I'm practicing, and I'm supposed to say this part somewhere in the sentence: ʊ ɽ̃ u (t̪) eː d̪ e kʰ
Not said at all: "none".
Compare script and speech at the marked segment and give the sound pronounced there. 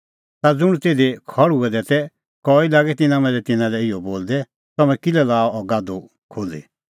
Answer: t̪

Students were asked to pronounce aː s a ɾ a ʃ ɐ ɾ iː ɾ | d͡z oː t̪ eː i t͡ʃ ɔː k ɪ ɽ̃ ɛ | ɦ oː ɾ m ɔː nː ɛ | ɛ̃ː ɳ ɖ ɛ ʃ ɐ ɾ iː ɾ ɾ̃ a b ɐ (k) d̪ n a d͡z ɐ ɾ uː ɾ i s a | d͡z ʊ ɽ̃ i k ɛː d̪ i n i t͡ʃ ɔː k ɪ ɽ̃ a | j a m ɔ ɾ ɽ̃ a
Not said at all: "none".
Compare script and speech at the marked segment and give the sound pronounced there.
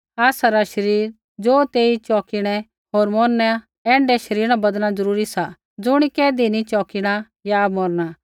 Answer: none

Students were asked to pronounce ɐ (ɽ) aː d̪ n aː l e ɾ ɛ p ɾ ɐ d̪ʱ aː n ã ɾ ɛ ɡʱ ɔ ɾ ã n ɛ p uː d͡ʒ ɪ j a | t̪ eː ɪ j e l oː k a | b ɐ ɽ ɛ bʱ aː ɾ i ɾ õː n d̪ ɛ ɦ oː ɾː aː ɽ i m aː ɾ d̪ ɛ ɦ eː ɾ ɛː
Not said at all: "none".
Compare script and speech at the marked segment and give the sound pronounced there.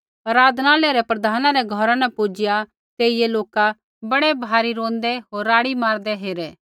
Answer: ɾ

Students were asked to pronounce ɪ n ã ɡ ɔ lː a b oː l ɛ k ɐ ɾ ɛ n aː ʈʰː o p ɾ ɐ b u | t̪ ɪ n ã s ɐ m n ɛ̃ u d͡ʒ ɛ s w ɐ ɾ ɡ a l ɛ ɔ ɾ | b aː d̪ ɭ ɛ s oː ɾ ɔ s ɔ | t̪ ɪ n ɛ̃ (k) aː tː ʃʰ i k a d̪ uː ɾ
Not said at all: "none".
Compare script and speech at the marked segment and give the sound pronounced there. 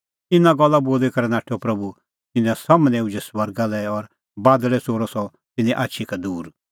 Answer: ʔ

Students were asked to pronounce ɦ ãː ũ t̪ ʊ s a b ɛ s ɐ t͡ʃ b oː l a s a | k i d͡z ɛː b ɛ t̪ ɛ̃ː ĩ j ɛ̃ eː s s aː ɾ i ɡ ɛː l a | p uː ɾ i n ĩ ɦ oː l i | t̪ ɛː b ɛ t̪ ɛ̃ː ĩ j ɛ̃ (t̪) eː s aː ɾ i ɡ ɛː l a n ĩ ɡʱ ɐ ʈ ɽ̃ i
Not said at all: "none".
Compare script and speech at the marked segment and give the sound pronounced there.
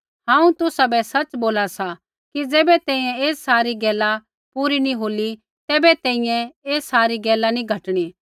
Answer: none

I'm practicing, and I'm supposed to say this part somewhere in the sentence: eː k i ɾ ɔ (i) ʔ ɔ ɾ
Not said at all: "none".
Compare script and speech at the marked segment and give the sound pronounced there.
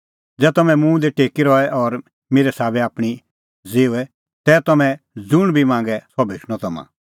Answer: ɛ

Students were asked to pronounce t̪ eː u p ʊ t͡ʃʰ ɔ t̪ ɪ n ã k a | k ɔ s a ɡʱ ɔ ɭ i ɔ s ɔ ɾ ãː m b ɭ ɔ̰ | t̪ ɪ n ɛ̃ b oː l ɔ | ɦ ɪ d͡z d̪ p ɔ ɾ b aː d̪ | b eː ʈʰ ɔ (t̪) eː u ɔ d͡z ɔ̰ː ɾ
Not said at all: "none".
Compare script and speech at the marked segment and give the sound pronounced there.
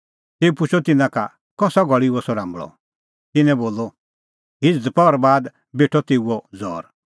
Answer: t̪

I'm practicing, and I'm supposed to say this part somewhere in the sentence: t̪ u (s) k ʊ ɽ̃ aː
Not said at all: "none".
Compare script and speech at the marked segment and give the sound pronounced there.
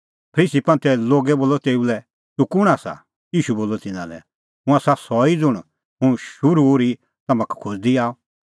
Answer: none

